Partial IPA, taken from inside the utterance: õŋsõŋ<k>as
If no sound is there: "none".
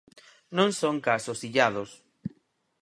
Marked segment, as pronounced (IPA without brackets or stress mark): k